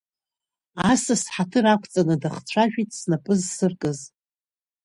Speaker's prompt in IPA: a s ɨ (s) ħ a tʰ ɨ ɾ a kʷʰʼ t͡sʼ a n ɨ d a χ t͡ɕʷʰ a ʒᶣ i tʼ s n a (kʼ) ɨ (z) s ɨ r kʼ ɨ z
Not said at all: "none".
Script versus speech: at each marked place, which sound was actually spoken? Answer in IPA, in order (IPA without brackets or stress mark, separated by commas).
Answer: s, pʼ, z